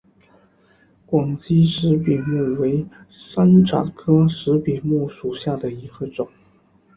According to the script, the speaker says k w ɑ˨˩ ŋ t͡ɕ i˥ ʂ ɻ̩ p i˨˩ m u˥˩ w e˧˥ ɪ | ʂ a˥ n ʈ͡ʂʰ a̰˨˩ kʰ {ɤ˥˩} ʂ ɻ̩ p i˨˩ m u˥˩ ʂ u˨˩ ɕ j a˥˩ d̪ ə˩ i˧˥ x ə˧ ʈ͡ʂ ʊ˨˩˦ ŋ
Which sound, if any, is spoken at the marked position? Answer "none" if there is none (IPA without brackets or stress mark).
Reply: ɤ˥